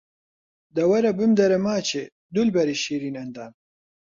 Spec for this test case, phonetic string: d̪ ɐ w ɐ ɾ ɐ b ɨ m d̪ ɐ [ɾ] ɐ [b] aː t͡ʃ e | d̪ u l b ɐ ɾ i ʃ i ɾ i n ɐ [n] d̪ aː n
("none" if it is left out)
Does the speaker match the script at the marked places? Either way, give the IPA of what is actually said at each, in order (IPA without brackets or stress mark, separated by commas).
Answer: ɾ, m, n